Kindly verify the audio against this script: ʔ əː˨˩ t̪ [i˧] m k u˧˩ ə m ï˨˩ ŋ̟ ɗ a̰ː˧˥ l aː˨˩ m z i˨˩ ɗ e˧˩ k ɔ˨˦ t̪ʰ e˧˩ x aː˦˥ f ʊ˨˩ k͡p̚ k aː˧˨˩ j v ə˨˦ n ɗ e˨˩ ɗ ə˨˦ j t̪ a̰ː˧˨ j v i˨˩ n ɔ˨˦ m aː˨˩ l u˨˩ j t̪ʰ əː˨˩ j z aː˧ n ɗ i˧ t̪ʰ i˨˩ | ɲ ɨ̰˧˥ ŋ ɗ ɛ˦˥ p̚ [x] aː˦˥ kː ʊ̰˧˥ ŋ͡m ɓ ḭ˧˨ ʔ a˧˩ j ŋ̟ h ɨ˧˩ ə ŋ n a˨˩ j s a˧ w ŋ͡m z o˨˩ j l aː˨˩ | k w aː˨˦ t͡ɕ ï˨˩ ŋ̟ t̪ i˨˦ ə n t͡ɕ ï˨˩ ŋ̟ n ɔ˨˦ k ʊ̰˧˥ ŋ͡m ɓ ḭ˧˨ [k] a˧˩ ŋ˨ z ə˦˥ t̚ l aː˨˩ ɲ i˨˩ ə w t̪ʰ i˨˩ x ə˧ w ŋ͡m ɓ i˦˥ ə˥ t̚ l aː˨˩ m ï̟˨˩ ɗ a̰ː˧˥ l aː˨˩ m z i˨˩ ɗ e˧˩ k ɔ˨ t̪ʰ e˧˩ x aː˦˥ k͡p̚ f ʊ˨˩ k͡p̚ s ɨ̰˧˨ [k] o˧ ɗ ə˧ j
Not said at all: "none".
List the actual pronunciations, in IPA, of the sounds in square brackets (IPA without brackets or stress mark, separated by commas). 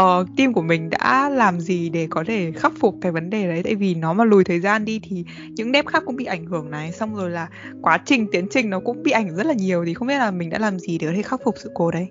i˧, x, ʔ, k